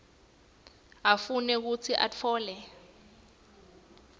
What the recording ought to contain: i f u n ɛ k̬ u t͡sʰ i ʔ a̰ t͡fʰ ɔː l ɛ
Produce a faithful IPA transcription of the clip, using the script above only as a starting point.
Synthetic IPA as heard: a f u n ɛ k̬ u t͡sʰ i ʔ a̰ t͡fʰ ɔː l ɛ